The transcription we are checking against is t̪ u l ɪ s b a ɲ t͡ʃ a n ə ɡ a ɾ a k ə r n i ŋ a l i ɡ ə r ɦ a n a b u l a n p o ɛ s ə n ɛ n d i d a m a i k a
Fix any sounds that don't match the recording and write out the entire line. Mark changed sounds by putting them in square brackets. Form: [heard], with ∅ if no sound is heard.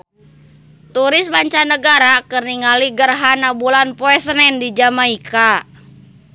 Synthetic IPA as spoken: t̪ u [ɾ] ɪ s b a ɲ t͡ʃ a n ə ɡ a ɾ a k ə r n i ŋ a l i ɡ ə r ɦ a n a b u l a n p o ɛ s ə n ɛ n d i [d͡ʒ] a m a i k a